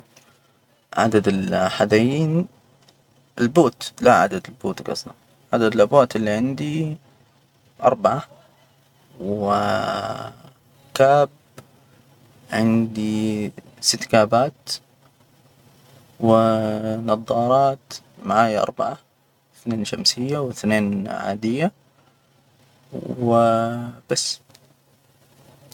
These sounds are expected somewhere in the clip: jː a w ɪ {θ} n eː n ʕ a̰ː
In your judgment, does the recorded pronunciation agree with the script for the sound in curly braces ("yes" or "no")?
yes